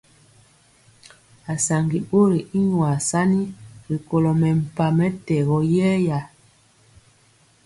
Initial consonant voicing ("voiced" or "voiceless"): voiceless